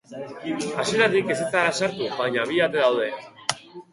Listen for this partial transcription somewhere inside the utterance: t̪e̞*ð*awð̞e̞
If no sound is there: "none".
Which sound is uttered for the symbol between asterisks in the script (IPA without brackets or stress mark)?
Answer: ð